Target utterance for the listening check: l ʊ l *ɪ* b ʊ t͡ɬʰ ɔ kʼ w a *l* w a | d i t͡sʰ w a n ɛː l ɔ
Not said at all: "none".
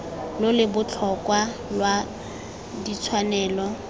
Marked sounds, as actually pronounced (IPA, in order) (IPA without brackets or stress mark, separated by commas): ɪ, l